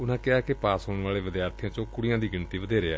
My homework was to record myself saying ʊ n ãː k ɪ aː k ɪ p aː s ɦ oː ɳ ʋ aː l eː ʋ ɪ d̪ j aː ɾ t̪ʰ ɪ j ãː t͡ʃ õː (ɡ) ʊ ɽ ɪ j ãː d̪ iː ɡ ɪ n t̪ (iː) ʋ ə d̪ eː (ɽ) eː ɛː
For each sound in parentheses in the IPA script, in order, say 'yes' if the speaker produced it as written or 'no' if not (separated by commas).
no, yes, no